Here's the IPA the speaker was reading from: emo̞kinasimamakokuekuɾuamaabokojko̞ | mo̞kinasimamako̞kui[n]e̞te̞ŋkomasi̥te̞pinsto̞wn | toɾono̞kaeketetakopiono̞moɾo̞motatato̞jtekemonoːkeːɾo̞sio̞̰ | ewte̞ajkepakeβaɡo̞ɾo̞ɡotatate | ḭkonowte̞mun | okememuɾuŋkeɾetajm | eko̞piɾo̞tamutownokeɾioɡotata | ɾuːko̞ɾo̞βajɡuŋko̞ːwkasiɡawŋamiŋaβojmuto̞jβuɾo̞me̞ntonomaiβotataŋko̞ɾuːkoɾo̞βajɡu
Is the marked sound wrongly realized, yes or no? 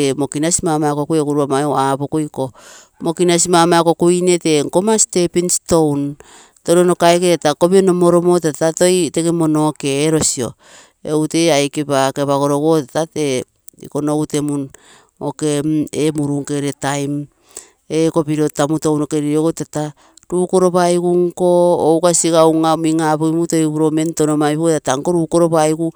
no